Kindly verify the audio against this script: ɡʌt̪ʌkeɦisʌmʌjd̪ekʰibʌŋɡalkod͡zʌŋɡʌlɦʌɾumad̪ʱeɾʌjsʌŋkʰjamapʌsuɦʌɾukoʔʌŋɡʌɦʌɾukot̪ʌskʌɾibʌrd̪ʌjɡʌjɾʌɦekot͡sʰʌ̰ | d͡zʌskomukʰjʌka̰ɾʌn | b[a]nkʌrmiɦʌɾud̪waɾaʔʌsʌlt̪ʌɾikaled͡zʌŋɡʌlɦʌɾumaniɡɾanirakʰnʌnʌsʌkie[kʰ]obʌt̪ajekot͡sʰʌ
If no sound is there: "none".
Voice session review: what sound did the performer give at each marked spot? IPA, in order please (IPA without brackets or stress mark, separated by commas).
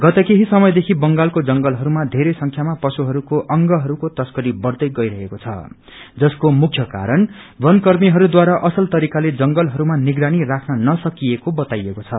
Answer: ʌ, k